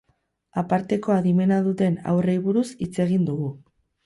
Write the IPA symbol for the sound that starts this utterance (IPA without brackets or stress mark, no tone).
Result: a